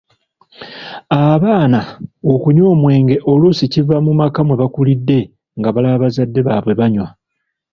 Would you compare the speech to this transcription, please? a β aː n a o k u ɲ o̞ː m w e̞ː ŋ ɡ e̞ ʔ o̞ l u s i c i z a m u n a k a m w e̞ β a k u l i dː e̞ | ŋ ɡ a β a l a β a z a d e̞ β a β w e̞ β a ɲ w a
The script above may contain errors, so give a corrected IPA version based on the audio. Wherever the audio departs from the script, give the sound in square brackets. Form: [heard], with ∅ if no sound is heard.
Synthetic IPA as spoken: a β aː n a o k u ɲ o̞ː m w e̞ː ŋ ɡ e̞ ʔ o̞ l u s i c i [v] a m u [m] a k a m w e̞ β a k u l i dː e̞ | ŋ ɡ a β a l a β a z a [dː] e̞ β a β w e̞ β a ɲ w a